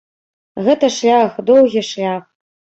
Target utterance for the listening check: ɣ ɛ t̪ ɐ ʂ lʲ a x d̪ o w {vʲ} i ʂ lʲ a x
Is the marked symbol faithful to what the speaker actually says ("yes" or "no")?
no